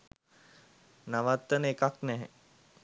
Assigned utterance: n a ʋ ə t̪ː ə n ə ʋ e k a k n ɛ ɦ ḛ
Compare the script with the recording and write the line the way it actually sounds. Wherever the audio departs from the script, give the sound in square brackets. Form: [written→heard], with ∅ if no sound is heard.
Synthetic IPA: n a ʋ [ə→a] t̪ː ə n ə [ʋ→∅] e k a k n ɛ ɦ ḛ